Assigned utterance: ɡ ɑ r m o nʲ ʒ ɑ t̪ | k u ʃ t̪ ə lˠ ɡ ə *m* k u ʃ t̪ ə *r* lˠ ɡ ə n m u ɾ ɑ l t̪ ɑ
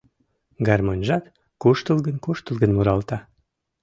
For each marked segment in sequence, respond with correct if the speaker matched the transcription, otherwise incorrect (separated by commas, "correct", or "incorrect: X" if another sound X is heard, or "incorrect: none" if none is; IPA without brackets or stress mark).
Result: incorrect: n, incorrect: none